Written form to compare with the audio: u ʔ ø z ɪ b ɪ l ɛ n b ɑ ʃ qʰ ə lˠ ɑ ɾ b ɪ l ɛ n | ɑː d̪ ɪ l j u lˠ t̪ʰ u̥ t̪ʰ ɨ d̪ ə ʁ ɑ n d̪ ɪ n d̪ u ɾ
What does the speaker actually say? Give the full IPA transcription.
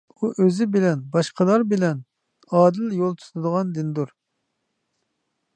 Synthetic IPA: u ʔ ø z ɪ b ɪ l ɛ n b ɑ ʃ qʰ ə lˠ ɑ ɾ b ɪ l ɛ n | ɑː d̪ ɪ l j o lˠ t̪ʰ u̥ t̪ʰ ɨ d̪ ə ʁ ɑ n d̪ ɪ n d̪ u ɾ